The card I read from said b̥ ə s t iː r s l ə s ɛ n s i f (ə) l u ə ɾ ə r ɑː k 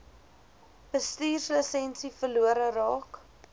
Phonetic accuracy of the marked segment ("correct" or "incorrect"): correct